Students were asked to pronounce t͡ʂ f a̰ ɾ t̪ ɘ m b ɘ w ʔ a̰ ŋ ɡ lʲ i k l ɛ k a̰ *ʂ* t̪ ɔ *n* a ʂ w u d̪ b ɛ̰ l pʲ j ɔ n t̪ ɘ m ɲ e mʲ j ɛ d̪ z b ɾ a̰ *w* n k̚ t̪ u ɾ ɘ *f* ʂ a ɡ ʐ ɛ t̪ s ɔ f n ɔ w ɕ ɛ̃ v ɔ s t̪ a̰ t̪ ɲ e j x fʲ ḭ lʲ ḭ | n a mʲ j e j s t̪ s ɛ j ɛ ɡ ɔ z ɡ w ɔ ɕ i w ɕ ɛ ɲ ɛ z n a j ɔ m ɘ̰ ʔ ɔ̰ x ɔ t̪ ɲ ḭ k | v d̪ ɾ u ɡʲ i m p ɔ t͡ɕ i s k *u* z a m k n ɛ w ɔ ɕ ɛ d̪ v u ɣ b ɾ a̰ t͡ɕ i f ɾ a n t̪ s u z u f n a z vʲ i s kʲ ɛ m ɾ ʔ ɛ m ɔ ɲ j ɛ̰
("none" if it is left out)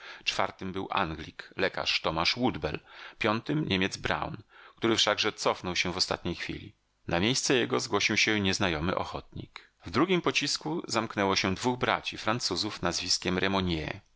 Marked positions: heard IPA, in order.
ʂ, m, w, f, u

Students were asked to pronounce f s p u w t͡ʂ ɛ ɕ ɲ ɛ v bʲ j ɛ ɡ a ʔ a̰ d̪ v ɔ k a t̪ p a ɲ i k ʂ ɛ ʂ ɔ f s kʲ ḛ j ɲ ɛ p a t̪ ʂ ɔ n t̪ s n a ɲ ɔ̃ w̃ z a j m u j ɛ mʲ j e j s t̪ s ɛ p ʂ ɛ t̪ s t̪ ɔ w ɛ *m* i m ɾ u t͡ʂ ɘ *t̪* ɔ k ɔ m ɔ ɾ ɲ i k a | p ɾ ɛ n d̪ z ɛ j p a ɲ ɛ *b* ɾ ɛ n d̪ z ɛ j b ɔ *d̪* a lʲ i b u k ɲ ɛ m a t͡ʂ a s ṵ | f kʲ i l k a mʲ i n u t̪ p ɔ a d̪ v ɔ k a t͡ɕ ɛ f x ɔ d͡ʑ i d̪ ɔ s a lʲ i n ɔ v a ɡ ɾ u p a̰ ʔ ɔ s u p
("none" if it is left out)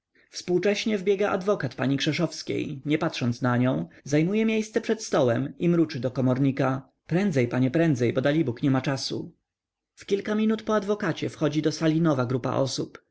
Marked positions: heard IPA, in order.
m, d̪, p, d̪

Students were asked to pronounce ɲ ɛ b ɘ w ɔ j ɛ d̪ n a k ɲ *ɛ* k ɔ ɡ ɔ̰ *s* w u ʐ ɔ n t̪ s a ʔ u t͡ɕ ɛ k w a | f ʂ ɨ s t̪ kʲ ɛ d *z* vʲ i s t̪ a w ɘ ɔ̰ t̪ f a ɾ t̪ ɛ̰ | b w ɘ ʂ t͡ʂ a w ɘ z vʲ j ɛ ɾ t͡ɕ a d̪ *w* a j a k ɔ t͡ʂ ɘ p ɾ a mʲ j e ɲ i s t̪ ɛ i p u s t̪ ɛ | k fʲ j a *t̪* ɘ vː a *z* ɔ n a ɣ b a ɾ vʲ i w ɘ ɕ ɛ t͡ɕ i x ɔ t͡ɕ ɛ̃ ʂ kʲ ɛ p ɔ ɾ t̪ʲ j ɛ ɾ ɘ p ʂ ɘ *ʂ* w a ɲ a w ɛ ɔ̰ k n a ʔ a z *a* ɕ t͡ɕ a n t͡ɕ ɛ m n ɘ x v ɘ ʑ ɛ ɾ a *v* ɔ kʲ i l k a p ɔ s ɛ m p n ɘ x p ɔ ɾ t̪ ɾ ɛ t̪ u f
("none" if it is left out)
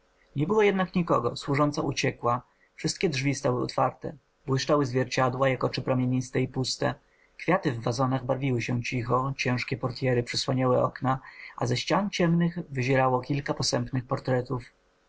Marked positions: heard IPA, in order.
i, s, ʐ, w, t̪, z, s, ɛ, w

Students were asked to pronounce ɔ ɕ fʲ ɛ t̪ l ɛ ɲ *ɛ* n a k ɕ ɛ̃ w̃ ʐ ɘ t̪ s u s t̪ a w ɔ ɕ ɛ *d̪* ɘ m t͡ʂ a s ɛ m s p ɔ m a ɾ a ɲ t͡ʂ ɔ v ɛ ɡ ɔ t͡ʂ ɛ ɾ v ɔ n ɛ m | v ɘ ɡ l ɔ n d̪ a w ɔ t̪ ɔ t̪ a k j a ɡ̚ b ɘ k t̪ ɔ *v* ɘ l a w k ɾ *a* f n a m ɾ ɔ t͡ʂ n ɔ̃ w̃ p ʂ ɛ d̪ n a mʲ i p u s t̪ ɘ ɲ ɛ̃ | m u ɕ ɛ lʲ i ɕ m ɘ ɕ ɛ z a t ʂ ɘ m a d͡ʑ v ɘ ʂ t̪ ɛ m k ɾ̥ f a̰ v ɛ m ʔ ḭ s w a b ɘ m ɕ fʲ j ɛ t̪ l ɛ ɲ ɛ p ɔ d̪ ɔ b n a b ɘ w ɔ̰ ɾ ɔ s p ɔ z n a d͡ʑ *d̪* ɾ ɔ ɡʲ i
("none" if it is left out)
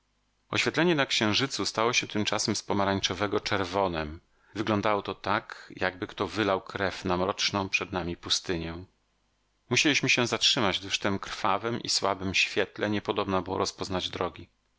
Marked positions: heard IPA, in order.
ɛ, t̪, v, ɛ, d̪

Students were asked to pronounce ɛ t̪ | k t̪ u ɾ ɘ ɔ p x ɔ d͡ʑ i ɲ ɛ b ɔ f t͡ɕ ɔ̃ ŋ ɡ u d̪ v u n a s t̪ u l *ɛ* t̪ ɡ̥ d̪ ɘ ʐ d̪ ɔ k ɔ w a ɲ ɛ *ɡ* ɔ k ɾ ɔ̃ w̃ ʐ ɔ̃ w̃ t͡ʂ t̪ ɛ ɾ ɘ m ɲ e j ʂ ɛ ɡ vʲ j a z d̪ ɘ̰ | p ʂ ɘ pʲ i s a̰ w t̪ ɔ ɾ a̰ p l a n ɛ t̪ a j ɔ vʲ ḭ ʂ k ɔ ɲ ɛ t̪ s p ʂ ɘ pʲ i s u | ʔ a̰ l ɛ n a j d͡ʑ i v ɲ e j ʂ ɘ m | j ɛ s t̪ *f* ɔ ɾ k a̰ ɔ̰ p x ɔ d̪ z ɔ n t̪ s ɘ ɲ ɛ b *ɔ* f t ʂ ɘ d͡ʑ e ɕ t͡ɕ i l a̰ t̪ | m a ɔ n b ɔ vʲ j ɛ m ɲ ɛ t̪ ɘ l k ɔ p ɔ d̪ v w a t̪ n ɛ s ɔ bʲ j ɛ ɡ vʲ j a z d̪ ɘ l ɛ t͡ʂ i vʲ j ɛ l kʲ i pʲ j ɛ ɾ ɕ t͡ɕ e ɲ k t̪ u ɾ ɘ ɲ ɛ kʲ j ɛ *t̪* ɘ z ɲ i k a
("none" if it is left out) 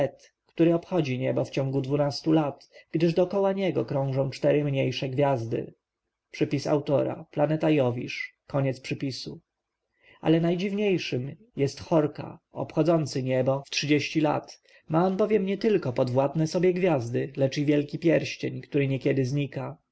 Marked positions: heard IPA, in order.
a, ɡ, x, ɔ, d̪

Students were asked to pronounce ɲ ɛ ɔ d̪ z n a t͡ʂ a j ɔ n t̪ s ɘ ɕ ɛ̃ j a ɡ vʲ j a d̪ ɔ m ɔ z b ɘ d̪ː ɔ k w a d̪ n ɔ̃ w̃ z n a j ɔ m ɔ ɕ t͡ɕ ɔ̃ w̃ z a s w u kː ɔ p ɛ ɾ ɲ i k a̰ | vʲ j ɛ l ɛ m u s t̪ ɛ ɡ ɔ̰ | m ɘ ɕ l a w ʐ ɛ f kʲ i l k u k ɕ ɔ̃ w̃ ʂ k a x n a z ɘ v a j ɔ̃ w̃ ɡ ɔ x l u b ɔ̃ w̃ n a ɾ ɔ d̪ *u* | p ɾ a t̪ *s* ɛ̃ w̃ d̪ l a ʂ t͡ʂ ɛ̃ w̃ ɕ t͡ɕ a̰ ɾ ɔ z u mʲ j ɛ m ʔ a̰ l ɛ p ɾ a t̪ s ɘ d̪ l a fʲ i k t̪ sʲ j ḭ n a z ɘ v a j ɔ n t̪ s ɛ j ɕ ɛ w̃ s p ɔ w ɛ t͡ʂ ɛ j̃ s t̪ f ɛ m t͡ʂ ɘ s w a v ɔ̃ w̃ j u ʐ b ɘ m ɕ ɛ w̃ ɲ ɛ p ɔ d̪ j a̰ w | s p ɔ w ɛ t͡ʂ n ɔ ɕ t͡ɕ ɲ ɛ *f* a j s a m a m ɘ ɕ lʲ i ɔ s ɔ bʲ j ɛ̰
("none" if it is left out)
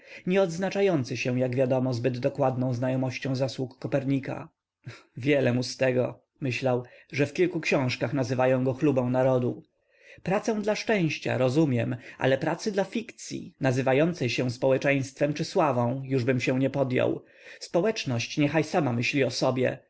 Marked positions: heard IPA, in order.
u, s, x

